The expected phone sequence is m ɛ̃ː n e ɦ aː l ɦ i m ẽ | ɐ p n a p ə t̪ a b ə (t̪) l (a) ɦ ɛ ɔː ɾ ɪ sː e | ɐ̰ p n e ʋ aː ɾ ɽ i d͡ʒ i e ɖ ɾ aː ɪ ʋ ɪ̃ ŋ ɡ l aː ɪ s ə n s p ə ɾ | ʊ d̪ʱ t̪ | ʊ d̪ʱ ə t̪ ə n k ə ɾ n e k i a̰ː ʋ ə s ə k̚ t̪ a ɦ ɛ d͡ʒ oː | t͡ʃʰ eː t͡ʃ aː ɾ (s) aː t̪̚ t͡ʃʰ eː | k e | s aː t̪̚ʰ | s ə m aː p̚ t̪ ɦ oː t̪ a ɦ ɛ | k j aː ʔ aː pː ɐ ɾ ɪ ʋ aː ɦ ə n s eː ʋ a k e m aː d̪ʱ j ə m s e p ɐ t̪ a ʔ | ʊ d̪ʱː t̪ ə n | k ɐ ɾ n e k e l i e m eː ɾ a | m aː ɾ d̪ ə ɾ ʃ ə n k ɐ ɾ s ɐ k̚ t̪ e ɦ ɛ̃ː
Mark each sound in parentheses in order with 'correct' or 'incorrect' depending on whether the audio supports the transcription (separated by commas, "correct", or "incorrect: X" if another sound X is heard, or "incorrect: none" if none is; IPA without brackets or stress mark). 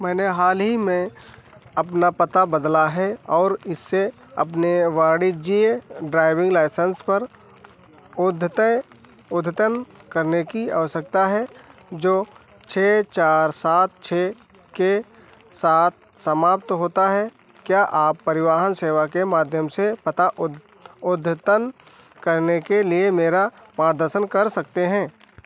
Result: incorrect: d̪, correct, correct